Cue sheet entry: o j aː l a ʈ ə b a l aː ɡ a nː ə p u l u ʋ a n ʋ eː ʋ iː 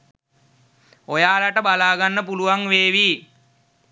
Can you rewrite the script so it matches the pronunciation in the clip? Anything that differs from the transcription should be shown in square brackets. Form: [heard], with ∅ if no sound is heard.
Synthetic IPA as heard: o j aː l a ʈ ə b a l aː ɡ a nː ə p u l u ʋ a [ŋ] ʋ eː ʋ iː